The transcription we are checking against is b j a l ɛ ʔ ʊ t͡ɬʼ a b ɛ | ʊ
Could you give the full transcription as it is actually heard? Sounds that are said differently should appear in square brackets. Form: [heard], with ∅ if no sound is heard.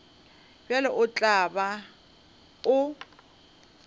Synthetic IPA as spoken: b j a l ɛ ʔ ʊ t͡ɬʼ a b [a] | ʊ